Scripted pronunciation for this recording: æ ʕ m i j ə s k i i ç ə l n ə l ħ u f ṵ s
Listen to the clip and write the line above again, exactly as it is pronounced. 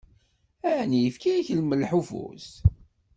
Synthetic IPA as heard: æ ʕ n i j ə f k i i ç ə l m ə l ħ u f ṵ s